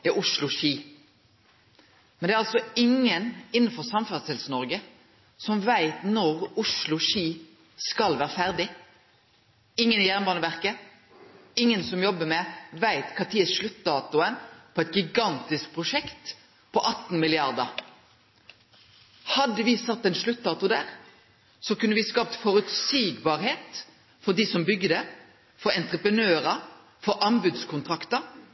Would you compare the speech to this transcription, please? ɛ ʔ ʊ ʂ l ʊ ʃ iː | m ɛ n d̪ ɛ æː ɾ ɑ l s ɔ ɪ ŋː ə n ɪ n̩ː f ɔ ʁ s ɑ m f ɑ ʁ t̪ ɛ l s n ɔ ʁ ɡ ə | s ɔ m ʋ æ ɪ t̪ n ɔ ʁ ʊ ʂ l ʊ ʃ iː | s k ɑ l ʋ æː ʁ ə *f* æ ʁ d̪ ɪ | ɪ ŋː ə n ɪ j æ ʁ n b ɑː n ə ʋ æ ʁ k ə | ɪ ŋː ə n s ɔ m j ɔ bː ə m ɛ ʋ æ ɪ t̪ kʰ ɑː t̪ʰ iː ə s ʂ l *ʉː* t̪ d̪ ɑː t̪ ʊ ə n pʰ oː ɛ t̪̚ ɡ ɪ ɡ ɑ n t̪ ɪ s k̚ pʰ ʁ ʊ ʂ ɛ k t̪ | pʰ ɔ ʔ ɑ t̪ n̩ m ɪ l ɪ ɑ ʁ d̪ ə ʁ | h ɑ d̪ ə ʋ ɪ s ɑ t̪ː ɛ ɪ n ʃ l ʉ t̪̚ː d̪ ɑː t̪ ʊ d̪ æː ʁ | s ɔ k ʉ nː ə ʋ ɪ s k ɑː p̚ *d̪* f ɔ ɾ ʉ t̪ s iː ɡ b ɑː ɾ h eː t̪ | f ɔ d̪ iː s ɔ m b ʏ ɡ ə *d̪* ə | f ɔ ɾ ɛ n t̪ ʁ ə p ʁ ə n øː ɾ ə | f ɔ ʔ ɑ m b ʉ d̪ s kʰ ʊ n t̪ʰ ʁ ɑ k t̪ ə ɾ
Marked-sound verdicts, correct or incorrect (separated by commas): correct, incorrect, incorrect, correct